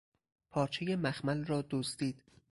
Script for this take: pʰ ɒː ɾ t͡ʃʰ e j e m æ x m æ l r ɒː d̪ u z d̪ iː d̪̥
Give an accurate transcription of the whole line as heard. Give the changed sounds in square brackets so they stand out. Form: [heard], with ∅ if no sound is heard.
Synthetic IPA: pʰ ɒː ɾ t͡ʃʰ e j e m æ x m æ l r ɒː d̪ [o] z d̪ iː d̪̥